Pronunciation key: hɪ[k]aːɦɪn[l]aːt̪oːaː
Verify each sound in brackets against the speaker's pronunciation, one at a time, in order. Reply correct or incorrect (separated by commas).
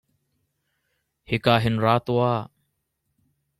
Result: correct, incorrect